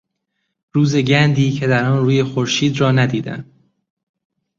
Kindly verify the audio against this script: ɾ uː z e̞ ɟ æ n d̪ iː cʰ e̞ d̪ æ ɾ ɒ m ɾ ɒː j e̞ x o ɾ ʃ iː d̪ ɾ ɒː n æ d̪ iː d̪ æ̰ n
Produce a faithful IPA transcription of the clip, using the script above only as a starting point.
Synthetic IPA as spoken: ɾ uː z e̞ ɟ æ n d̪ iː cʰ e̞ d̪ æ ɾ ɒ n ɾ uː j e̞ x o ɾ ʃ iː d̪ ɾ ɒː n æ d̪ iː d̪ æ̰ n

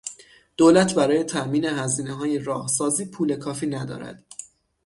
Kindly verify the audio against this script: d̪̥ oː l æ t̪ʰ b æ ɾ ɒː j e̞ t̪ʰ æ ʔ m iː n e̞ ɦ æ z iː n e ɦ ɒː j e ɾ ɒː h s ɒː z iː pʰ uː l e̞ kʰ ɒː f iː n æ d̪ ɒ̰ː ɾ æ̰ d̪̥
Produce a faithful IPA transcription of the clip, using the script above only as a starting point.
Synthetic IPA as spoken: d̪̥ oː l æ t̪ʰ b æ ɾ ɒː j e̞ t̪ʰ æ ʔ m iː n e̞ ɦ æ z iː n e ɦ ɒː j e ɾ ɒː h s ɒː z iː pʰ uː l e̞ kʰ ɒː f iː n æ d̪ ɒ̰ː ɾ æ̰ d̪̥

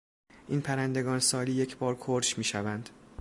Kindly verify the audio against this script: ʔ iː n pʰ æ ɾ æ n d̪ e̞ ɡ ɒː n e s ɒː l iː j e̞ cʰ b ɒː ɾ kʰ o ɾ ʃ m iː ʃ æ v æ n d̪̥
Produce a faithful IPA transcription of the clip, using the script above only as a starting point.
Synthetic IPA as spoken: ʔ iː n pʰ æ ɾ æ n d̪ e̞ ɡ ɒː n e s ɒː l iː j e̞ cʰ b ɒː ɾ kʰ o ɾ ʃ m iː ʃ æ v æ n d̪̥

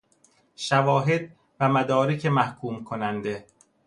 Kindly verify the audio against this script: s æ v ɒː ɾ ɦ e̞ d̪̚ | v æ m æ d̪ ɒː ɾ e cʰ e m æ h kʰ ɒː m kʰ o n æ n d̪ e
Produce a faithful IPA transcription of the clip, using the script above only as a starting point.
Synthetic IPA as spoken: ʃ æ v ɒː ɦ e̞ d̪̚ | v æ m æ d̪ ɒː ɾ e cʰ e m æ h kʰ uː m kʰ o n æ n d̪ e

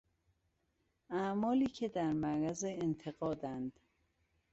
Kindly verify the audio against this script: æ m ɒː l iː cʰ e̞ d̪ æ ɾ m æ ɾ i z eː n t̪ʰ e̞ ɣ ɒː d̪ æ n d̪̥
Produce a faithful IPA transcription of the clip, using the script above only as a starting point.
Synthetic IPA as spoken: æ m ɒː l iː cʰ e̞ d̪ æ ɾ m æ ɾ æ z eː n t̪ʰ e̞ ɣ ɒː d̪ æ n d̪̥

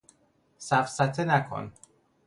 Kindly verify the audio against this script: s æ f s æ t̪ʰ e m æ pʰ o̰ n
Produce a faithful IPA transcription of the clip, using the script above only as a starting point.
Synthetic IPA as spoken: s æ f s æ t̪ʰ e n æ kʰ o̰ n

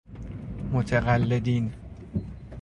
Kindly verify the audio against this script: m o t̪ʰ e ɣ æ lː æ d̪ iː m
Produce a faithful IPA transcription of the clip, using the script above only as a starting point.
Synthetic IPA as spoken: m o t̪ʰ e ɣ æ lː e d̪ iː n

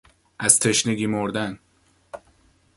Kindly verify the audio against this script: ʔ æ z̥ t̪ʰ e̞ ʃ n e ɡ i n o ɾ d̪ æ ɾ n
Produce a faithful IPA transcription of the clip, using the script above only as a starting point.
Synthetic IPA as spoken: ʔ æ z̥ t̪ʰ e̞ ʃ n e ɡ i m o ɾ d̪ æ n

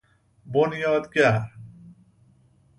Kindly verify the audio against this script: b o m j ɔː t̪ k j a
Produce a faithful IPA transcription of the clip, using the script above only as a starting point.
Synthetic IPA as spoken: b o n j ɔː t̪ k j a

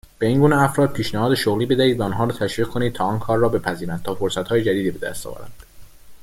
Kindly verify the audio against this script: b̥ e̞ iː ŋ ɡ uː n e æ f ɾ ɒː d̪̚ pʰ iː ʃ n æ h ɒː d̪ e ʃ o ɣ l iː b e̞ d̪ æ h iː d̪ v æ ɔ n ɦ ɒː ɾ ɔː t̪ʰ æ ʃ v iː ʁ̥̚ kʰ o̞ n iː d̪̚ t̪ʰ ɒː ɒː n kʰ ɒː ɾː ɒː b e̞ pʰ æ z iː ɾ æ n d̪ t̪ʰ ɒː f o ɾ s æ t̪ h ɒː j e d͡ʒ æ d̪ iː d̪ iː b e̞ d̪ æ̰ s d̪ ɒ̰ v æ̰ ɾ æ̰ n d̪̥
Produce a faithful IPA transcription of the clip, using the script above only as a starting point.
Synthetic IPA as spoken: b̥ e̞ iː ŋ ɡ uː n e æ f ɾ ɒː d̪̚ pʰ iː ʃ n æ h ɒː d̪ e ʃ o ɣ l iː b e̞ d̪ æ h iː d̪ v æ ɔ n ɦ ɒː ɾ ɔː t̪ʰ æ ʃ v iː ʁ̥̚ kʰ o̞ n iː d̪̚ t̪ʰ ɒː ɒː n kʰ ɒː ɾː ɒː b e̞ pʰ æ z iː ɾ æ n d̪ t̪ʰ ɒː f o ɾ s æ t̪ h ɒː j e d͡ʒ æ d̪ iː d̪ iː b e̞ d̪ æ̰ s t̪ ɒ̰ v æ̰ ɾ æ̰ n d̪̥

